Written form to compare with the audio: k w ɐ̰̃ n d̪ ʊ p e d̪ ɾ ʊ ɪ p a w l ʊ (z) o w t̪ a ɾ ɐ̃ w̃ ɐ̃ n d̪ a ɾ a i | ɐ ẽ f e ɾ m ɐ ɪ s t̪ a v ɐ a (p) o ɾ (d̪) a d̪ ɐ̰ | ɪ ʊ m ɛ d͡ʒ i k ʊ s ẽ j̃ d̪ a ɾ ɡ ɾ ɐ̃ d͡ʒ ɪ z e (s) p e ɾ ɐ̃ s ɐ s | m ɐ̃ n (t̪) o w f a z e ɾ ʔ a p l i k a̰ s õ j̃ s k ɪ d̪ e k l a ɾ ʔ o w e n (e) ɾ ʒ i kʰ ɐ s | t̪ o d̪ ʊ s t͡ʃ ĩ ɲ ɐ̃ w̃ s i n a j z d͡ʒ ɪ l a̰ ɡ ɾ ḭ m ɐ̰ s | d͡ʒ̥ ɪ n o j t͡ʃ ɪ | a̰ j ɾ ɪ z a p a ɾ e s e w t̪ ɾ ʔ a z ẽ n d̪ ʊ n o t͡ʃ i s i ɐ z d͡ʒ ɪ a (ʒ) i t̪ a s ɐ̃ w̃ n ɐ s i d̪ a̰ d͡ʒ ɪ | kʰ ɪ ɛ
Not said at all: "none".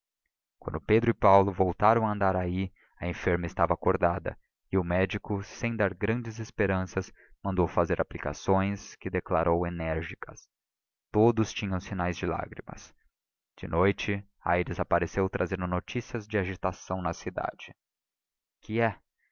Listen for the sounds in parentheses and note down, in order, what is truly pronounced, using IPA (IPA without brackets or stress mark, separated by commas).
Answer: v, k, d̪, s, d̪, ɛ, ʒ